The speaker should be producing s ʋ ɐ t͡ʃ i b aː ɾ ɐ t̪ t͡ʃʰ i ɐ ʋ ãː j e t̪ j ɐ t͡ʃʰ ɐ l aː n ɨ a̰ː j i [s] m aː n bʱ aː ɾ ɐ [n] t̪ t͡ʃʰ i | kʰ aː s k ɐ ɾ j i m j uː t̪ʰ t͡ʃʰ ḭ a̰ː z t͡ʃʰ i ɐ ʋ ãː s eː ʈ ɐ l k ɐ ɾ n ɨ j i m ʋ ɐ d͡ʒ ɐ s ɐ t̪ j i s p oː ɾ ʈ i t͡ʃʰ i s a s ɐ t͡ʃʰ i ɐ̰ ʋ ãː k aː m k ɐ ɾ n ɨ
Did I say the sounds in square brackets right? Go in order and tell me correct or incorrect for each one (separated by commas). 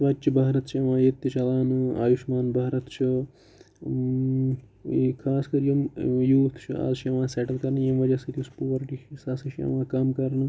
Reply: incorrect, incorrect